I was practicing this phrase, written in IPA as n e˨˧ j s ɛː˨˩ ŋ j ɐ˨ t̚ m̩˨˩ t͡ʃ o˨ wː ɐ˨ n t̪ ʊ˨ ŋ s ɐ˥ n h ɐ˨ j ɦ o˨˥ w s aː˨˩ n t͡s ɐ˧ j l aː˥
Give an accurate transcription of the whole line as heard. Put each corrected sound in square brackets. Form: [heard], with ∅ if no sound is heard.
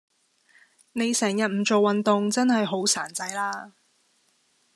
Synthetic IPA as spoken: n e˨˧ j s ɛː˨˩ ŋ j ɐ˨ t̚ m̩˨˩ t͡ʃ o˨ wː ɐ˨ n t̪ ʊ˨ ŋ [t͡s] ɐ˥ n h ɐ˨ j ɦ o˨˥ w s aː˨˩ n t͡s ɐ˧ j l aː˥